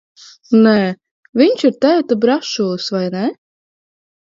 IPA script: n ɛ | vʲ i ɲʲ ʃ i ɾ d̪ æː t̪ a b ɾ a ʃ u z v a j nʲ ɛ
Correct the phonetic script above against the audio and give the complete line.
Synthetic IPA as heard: n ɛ | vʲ i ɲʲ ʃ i ɾ t̪ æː t̪ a b ɾ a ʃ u s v a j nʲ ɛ